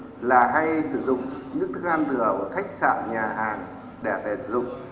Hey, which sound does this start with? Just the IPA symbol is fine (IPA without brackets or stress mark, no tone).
l